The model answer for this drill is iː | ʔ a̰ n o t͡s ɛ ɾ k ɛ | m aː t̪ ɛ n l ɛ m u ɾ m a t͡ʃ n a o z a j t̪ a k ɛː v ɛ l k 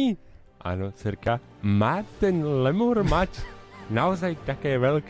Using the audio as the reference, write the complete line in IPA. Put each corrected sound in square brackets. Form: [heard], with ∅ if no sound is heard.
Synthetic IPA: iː | ʔ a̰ n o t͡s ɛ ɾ k [a] | m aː t̪ ɛ n l ɛ m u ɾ m a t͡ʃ n a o z a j t̪ a k ɛː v ɛ l k